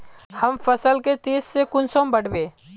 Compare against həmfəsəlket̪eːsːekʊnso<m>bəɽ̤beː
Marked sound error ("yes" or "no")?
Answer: no